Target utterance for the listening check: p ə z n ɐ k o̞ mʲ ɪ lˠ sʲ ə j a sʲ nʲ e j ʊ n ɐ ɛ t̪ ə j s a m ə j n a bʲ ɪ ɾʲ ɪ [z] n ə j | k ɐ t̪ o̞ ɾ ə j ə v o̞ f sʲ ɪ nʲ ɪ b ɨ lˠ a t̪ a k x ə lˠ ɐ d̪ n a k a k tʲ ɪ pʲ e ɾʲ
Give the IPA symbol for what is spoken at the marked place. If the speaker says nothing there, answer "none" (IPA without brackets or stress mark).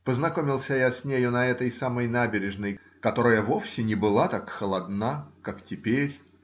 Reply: ʐ